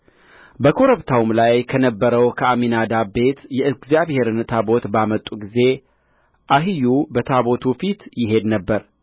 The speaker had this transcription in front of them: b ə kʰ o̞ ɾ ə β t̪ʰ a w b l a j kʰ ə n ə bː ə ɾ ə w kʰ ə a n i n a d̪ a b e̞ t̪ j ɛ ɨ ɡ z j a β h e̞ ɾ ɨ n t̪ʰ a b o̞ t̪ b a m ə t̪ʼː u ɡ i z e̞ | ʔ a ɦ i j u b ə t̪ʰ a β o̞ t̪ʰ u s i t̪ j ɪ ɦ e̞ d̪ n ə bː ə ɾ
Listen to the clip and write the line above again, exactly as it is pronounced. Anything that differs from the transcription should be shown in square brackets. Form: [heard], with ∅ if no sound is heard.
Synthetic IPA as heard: b ə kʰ o̞ ɾ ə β t̪ʰ a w [m] l a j kʰ ə n ə bː ə ɾ ə w kʰ ə a [m] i n a d̪ a b e̞ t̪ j ɛ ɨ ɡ z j a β h e̞ ɾ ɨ n t̪ʰ a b o̞ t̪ b a m ə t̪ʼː u ɡ i z e̞ | ʔ a ɦ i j u b ə t̪ʰ a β o̞ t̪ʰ u [f] i t̪ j ɪ ɦ e̞ d̪ n ə bː ə ɾ